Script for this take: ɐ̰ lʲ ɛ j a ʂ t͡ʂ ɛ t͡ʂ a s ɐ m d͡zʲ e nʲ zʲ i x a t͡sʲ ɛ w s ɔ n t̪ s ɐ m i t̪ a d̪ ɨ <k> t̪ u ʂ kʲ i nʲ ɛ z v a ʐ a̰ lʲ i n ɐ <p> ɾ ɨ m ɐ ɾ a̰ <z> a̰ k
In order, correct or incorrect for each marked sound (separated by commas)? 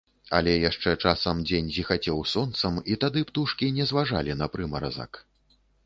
incorrect, correct, correct